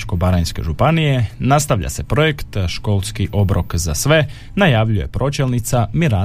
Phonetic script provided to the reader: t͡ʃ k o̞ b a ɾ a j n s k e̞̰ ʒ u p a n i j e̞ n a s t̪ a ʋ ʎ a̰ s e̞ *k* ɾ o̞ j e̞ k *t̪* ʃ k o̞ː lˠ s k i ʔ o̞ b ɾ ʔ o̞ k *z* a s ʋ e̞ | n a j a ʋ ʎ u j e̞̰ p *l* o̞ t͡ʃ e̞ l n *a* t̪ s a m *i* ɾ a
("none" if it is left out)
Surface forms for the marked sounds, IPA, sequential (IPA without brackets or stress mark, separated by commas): p, t̪, z, ɾ, i, i